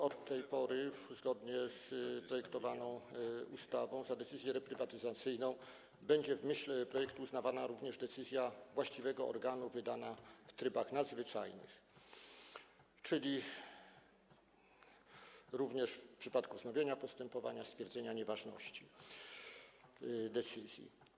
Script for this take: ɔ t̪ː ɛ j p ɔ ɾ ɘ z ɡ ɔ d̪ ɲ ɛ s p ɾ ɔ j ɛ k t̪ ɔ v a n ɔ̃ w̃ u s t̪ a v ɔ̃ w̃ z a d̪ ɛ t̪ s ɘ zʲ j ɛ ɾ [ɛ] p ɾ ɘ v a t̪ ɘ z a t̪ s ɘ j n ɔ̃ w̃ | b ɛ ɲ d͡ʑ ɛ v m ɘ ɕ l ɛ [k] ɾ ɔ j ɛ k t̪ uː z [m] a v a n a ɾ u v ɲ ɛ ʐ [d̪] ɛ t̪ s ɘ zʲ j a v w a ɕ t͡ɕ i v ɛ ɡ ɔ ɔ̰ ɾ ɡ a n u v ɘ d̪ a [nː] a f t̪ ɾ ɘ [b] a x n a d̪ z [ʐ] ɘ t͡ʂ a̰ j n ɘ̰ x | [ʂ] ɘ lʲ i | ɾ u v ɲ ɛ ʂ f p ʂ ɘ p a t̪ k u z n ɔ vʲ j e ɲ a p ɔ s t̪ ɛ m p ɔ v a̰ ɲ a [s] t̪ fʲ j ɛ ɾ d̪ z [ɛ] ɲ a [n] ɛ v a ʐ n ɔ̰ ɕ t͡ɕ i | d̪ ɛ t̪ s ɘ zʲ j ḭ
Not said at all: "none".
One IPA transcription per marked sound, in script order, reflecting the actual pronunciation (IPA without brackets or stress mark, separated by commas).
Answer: ɛ, p, n, d̪, n, b, v, t͡ʂ, s, ɛ, ɲ